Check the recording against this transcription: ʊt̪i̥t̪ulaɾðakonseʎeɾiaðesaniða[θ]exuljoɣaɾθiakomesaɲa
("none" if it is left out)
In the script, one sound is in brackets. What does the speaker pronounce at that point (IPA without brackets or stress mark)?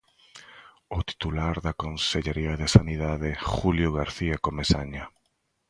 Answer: ð